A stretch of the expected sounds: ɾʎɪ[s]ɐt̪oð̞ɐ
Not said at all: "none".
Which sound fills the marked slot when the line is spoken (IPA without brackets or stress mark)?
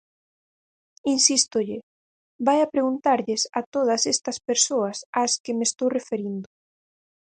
s